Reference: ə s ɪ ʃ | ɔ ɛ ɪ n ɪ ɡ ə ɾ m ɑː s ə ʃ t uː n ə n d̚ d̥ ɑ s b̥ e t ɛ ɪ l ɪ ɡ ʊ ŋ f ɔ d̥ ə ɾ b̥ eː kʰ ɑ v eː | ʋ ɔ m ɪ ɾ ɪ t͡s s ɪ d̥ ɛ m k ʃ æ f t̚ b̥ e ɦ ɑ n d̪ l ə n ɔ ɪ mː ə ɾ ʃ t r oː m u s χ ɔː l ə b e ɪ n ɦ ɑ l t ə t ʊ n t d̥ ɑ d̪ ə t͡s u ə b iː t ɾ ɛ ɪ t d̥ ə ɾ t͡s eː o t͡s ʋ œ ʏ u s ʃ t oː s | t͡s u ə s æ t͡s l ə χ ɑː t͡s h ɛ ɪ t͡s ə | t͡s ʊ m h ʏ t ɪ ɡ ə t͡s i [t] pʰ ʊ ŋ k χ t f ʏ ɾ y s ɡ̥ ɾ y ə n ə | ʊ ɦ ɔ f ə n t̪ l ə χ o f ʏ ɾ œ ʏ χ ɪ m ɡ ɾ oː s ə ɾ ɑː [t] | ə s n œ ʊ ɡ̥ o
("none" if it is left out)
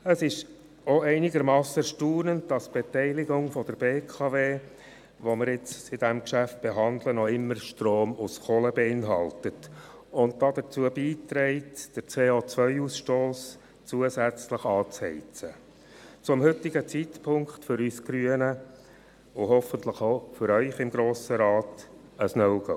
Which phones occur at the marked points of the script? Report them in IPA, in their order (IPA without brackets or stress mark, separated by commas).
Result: t, t